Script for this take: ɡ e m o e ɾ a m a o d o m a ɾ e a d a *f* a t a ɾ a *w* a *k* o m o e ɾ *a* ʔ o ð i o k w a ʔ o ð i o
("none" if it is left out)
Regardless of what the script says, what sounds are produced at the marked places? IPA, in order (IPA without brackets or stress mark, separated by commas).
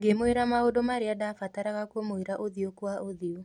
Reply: f, ɣ, k, a